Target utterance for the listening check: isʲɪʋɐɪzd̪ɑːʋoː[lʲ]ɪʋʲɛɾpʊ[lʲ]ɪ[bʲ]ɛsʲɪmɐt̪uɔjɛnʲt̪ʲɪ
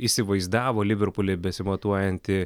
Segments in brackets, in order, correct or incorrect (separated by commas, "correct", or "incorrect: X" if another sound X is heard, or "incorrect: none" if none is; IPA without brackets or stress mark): correct, correct, correct